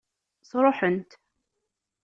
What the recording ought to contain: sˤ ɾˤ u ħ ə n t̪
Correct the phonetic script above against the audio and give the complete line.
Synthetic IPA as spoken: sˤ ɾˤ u ħ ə n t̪